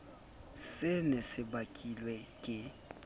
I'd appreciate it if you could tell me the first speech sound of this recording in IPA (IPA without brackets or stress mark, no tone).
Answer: s